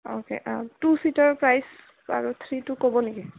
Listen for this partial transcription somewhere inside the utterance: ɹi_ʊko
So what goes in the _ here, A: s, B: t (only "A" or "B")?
B